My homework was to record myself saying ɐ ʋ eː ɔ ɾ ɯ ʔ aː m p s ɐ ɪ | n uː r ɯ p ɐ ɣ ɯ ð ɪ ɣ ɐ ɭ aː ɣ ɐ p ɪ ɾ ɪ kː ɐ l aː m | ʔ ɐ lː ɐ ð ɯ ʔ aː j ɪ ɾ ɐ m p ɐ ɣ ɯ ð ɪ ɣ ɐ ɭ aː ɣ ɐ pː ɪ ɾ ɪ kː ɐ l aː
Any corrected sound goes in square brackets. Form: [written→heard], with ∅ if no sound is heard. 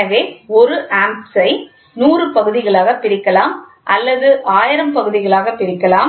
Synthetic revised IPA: ɐ ʋ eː ɔ ɾ ɯ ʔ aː m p s ɐ ɪ | n uː r ɯ p ɐ ɣ ɯ ð ɪ ɣ ɐ ɭ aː ɣ ɐ p ɪ ɾ ɪ kː ɐ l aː m | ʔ ɐ lː ɐ ð ɯ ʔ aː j ɪ ɾ ɐ m p ɐ ɣ ɯ ð ɪ ɣ ɐ ɭ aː ɣ ɐ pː ɪ ɾ ɪ kː ɐ l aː